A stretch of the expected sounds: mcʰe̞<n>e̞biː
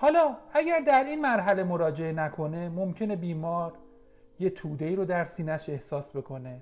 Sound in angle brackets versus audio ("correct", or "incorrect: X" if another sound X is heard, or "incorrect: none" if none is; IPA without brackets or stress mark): correct